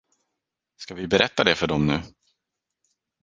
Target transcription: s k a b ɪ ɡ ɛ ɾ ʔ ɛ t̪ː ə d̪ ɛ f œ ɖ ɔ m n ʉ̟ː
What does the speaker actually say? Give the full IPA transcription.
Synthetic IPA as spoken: s k a v ɪ b ɛ ɾ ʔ ɛ t̪ː a d̪ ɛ f œ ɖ ɔ m n ʉ̟ː